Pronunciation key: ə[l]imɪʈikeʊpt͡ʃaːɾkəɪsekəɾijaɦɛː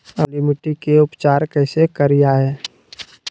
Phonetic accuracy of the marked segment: correct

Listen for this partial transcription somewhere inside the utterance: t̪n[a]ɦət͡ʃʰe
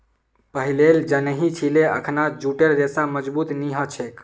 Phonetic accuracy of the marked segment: incorrect: i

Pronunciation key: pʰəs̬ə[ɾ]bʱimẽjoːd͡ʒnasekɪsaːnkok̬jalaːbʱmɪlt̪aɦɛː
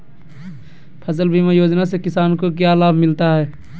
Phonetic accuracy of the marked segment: incorrect: l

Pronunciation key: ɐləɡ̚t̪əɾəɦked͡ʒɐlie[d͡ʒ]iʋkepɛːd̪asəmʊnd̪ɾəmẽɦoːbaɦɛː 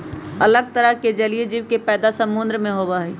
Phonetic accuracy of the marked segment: correct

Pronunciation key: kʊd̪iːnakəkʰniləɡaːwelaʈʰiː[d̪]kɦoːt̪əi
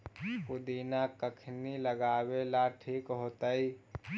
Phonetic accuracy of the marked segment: incorrect: none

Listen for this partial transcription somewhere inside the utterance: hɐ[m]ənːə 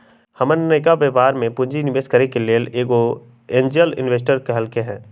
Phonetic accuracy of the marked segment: correct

